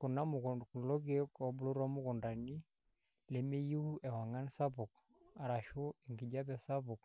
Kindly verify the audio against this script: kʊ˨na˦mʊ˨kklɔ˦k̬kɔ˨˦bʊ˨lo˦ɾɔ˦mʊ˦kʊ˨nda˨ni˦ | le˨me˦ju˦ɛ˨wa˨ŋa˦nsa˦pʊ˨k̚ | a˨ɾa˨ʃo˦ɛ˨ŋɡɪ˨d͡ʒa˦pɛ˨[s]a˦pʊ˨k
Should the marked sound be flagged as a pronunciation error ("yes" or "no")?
no